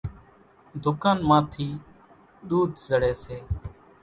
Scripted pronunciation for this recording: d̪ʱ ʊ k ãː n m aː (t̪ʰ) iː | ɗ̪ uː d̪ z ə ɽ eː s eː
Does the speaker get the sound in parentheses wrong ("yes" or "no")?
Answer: no